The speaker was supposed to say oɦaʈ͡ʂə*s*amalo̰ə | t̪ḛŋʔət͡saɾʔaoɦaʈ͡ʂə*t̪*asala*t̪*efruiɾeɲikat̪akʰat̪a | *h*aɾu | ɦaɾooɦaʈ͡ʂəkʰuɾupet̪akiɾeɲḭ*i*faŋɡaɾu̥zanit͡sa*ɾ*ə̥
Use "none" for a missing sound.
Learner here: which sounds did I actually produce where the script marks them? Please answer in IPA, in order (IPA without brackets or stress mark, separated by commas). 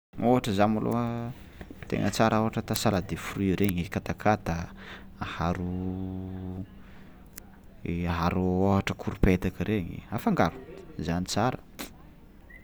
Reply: z, t̪, d̪, h, a, ɾ